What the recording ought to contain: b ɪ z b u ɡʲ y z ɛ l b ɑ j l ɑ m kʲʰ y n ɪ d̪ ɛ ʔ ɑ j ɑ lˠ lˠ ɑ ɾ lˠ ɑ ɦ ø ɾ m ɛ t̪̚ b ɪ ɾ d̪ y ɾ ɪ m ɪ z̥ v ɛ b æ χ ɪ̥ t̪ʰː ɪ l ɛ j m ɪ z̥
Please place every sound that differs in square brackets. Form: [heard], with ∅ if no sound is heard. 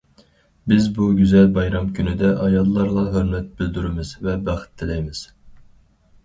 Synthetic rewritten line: b ɪ z b u ɡʲ y z ɛ l b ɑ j [ɾ] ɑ m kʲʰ y n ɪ d̪ ɛ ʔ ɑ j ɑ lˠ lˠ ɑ ɾ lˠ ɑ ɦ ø ɾ m ɛ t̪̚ b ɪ [l] d̪ y ɾ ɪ m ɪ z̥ v ɛ b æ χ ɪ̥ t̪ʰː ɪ l ɛ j m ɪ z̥